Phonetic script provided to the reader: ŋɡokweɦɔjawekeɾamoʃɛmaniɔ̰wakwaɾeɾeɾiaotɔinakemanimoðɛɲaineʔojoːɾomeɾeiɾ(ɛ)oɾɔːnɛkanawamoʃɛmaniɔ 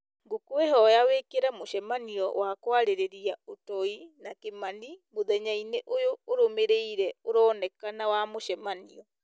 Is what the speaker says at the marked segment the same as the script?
yes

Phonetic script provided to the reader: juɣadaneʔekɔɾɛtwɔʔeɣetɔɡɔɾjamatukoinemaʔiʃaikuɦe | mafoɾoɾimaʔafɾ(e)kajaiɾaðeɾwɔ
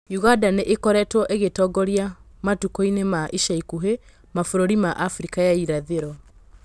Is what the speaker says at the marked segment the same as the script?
no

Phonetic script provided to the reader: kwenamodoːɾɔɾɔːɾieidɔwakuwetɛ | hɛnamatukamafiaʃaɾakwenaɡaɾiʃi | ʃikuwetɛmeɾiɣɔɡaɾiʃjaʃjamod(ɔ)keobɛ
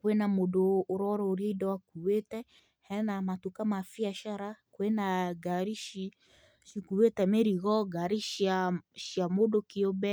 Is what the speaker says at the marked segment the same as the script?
no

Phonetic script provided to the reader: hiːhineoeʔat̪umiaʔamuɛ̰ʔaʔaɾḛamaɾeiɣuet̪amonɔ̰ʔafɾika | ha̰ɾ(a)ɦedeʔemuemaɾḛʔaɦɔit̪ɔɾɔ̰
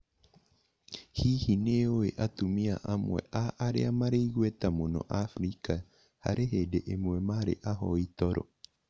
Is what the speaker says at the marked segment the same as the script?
no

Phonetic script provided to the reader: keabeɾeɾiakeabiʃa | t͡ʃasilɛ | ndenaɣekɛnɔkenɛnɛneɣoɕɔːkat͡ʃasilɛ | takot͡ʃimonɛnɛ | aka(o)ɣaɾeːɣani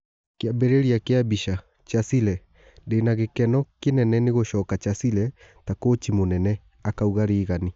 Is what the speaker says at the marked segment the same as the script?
no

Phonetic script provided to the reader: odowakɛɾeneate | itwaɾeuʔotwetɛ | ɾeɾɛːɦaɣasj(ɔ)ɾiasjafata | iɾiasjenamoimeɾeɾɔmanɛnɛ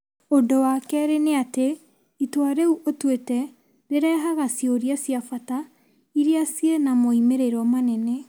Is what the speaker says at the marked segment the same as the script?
no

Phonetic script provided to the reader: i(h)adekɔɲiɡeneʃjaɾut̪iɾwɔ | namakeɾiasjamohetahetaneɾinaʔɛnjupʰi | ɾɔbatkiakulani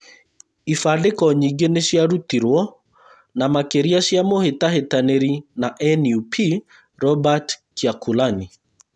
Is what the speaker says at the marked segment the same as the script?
no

